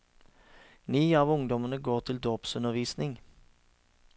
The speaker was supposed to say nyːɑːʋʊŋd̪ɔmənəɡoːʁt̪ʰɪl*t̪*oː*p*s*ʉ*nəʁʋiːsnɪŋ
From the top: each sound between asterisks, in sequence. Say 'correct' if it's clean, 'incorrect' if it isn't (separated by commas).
incorrect, correct, correct